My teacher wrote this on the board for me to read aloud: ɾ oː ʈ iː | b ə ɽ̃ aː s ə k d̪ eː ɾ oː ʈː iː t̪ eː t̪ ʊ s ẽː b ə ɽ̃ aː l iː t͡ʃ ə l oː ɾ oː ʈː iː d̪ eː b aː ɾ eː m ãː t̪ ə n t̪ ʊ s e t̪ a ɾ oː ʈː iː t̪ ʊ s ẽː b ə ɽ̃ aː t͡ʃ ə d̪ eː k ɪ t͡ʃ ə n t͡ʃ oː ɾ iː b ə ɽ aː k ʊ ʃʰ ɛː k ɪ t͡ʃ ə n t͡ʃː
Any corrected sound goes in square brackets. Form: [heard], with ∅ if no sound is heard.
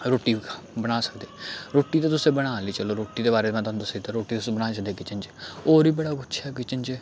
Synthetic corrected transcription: ɾ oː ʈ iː | b ə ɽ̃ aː s ə k d̪ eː ɾ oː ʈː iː t̪ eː t̪ ʊ s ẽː b ə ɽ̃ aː l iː t͡ʃ ə l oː ɾ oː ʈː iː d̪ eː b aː ɾ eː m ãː t̪ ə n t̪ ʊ s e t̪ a ɾ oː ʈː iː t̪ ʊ s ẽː b ə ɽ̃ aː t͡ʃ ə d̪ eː k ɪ t͡ʃ ə n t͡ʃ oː ɾ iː b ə ɽ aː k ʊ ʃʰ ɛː k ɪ t͡ʃ ə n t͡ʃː